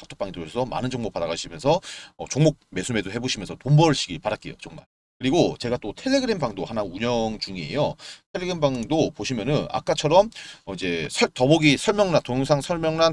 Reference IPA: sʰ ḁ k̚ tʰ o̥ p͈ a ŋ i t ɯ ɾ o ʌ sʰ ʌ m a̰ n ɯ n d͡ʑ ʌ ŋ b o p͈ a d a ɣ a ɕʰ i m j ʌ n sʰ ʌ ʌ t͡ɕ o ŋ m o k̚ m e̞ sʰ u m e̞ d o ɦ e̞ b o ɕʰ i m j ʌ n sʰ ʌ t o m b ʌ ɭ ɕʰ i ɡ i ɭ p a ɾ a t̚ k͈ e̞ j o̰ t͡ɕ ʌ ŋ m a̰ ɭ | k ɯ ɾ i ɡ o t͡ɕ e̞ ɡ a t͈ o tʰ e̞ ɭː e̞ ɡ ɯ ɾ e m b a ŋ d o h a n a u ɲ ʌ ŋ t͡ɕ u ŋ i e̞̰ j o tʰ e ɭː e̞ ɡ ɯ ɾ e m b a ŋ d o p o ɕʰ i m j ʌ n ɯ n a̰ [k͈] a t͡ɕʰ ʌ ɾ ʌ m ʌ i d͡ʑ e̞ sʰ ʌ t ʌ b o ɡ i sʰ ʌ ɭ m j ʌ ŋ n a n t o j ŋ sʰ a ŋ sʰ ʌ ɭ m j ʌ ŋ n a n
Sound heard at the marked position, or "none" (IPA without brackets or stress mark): k͈